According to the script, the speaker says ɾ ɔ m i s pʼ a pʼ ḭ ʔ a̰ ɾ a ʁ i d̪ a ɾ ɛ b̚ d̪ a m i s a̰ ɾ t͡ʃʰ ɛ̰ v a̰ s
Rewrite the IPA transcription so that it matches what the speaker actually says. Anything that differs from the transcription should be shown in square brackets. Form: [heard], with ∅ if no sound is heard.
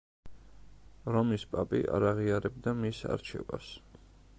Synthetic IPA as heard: ɾ ɔ m i s pʼ a pʼ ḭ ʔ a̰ ɾ a ʁ i [∅] a ɾ ɛ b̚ d̪ a m i s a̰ ɾ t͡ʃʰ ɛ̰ v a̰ s